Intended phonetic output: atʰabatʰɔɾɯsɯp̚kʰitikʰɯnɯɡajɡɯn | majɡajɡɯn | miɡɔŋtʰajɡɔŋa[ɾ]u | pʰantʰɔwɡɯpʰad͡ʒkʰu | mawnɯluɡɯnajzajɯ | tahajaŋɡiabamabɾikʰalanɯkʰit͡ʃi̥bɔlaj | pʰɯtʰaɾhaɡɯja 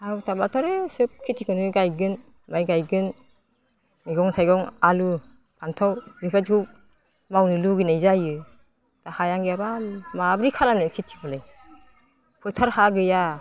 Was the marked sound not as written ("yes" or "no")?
yes